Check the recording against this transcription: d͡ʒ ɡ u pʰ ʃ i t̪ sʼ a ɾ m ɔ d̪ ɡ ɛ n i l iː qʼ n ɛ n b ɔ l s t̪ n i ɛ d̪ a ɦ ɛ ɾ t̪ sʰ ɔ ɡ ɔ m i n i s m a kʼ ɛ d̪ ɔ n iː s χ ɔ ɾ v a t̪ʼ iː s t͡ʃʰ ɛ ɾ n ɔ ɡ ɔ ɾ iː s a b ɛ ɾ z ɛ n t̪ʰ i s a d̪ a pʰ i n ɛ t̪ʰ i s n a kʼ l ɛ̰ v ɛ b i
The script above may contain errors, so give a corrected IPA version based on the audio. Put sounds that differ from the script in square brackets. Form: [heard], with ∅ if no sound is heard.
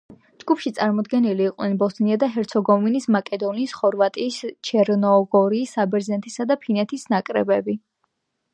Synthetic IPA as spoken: d͡ʒ ɡ u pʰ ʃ i t̪ sʼ a ɾ m ɔ d̪ ɡ ɛ n i l iː qʼ n ɛ n b ɔ [∅] s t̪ n i [a] d̪ a ɦ ɛ ɾ t̪ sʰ ɔ ɡ ɔ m i n i s m a kʼ ɛ d̪ ɔ n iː s χ ɔ ɾ v a t̪ʼ iː s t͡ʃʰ ɛ ɾ n ɔ ɡ ɔ ɾ iː s a b ɛ ɾ z ɛ n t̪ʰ i s a d̪ a pʰ i n ɛ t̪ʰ i s n a kʼ [ɾ] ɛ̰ [b] ɛ b i